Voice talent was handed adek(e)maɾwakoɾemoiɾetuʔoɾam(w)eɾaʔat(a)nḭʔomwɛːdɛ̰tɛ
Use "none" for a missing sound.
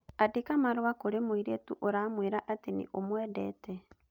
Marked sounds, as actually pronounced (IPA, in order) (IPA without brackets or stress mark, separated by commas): a, w, e